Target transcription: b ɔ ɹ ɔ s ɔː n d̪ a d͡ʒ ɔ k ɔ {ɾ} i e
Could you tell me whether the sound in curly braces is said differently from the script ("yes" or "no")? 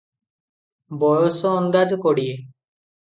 yes